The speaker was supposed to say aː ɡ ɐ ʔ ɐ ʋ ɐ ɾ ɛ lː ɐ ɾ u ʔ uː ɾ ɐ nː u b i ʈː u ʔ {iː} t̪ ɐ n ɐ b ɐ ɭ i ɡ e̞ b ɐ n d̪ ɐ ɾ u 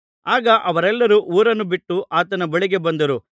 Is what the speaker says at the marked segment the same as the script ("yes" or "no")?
no